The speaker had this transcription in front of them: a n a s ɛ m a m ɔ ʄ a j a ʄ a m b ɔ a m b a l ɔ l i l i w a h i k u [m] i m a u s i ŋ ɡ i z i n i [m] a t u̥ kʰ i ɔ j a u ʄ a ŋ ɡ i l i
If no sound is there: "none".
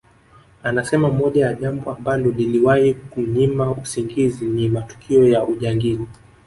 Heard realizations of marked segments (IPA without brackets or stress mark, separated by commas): ɲ, m